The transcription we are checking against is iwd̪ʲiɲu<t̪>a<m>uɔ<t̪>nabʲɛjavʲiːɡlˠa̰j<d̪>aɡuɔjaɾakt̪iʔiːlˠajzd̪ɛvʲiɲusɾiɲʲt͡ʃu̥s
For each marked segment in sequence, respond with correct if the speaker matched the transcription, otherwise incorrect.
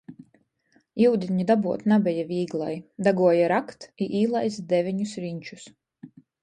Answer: incorrect, incorrect, correct, correct

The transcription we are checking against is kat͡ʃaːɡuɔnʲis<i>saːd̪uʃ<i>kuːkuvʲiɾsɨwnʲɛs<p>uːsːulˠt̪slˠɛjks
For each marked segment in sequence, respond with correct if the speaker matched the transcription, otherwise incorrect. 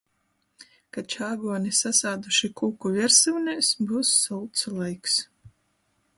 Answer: incorrect, correct, incorrect

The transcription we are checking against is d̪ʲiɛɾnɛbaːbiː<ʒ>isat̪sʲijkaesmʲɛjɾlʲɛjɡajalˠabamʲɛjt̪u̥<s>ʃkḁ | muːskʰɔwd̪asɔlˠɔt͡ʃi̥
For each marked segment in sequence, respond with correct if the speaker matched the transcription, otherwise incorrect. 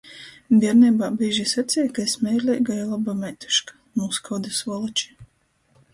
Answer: correct, incorrect

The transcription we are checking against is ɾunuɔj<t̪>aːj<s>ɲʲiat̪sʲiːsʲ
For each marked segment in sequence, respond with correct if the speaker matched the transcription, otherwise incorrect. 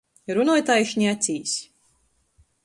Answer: correct, incorrect

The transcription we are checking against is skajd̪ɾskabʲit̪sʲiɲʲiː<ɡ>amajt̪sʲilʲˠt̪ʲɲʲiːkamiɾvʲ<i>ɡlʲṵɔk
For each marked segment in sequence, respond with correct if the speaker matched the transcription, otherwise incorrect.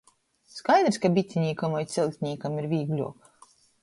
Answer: incorrect, incorrect

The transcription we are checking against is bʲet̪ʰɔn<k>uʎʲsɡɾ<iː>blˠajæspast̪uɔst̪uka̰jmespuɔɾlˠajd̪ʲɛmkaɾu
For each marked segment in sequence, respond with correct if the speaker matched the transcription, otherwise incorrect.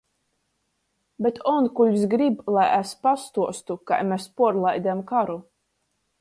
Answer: correct, incorrect

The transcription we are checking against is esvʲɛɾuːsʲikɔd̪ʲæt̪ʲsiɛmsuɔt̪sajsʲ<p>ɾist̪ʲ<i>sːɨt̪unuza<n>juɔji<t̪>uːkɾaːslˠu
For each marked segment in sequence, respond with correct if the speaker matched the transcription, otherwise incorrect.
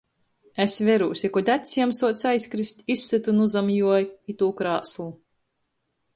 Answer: incorrect, correct, incorrect, correct

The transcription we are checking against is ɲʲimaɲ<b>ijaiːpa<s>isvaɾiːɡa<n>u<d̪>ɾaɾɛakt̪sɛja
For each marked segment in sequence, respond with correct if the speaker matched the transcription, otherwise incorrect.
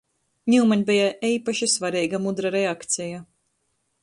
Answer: correct, incorrect, incorrect, correct

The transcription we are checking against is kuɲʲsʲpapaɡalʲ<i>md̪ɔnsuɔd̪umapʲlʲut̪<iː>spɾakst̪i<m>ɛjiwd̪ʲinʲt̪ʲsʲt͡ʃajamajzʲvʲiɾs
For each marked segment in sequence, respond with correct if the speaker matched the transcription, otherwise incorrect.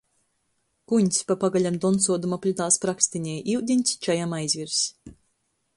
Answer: incorrect, incorrect, incorrect

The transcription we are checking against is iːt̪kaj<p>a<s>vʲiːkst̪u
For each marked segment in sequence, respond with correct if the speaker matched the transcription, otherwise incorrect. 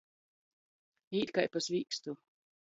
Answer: correct, correct

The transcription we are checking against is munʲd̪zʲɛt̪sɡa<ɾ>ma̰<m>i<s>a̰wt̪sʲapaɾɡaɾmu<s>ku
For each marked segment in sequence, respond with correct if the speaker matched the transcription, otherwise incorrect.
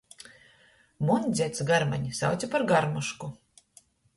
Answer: correct, incorrect, correct, incorrect

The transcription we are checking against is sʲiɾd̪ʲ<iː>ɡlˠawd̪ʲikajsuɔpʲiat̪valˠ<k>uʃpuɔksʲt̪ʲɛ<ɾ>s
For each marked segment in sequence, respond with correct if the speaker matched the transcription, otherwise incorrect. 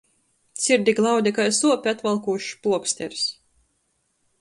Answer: incorrect, correct, correct

